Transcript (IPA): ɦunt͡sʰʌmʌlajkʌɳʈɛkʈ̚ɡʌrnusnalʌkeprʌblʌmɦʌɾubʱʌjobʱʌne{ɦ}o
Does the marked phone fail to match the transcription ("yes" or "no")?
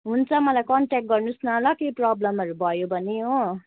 no